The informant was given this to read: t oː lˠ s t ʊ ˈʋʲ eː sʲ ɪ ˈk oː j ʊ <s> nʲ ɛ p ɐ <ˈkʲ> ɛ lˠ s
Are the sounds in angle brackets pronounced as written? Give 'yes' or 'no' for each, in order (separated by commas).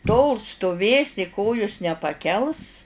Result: yes, yes